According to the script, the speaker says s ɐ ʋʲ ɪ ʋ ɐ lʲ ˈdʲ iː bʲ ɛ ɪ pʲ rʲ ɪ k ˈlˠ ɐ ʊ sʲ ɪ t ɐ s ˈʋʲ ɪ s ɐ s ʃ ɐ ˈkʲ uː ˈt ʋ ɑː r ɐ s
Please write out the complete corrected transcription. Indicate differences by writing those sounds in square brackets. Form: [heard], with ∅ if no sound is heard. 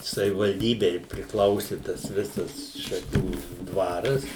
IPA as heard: s ɐ ʋʲ ɪ ʋ ɐ lʲ ˈdʲ iː bʲ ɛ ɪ pʲ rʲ ɪ k ˈlˠ ɐ ʊ sʲ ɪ t ɐ s ˈʋʲ ɪ s ɐ s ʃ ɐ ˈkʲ uː [ˈd] ʋ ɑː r ɐ s